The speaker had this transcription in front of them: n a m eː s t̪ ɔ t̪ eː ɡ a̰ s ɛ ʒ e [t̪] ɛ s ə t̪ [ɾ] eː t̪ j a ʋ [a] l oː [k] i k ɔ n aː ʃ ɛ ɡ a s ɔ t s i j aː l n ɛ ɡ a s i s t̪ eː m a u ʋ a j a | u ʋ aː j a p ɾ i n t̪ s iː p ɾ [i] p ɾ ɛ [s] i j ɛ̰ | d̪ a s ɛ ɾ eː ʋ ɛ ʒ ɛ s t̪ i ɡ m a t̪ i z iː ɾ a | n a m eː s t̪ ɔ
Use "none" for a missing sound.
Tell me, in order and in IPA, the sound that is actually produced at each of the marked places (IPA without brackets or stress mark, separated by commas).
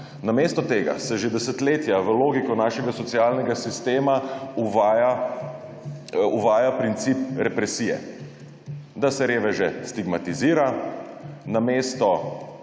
d̪, l, ə, ɡ, ɛ, s